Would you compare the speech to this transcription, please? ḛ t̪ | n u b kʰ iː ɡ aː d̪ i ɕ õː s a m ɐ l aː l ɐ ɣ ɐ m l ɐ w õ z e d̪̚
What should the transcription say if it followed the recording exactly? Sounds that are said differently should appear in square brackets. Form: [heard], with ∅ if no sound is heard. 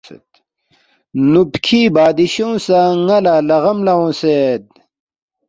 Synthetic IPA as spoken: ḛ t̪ | n u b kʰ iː [b] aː d̪ i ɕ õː s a [ŋ] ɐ l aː l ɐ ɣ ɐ m l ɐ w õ [s] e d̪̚